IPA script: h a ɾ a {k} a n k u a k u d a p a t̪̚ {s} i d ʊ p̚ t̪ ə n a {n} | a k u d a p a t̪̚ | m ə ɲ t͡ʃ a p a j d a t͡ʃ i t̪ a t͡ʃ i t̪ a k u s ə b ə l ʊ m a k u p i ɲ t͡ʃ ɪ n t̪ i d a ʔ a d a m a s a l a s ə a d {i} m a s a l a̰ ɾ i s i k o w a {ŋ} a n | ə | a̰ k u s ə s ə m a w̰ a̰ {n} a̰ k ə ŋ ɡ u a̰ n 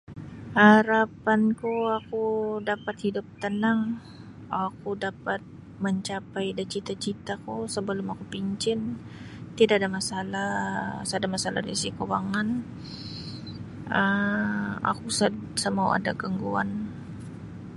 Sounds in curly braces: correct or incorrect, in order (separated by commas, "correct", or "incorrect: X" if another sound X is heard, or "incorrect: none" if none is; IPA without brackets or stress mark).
incorrect: p, incorrect: h, incorrect: ŋ, incorrect: a, correct, incorrect: d